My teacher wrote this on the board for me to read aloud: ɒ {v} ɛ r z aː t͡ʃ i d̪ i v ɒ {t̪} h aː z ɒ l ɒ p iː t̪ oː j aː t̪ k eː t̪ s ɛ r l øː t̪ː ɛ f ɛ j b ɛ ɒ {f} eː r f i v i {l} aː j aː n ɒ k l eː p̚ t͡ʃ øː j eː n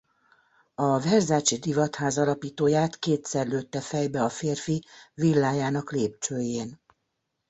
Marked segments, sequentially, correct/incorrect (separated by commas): correct, correct, correct, incorrect